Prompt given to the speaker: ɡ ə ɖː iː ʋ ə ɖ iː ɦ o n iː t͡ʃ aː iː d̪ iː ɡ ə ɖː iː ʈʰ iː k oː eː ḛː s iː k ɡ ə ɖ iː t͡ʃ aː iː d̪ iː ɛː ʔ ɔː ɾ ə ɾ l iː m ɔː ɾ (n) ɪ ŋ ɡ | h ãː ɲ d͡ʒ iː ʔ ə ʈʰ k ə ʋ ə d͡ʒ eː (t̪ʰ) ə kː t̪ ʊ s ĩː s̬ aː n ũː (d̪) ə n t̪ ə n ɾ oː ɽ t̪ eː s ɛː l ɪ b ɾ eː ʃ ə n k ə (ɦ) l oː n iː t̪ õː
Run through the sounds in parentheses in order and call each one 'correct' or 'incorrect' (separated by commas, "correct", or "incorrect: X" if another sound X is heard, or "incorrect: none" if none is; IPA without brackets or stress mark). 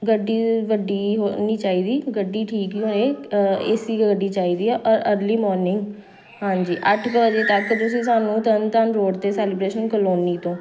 correct, incorrect: t̪, incorrect: t̪, incorrect: none